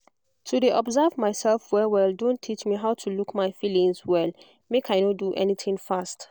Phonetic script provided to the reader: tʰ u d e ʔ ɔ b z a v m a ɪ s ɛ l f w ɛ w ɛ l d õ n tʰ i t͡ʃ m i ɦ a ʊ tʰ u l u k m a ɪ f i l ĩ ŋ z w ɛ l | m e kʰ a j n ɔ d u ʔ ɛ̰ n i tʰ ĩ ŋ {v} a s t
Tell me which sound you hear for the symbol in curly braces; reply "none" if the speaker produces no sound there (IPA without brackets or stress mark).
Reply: f